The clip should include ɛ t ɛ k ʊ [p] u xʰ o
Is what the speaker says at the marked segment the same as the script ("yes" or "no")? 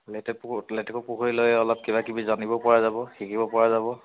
yes